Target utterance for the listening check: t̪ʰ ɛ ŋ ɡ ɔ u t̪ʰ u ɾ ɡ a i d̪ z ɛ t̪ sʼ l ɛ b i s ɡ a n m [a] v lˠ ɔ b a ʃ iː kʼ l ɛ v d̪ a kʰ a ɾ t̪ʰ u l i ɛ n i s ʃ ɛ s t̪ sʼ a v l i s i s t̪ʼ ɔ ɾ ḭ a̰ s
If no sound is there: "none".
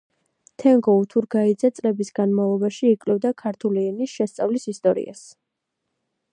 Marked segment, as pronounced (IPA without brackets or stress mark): a